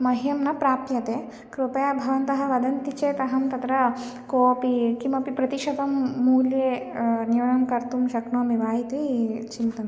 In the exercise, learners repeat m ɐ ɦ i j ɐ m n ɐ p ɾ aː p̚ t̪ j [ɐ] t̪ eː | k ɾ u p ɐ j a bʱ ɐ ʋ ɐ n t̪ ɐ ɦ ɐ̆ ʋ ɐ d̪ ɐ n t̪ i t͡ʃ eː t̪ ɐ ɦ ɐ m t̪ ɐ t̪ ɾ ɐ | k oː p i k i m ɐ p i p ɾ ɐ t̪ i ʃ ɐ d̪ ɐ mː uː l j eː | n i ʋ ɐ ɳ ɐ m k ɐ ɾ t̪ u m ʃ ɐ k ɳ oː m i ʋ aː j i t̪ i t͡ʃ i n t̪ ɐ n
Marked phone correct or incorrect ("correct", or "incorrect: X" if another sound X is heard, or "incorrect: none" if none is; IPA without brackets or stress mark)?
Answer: correct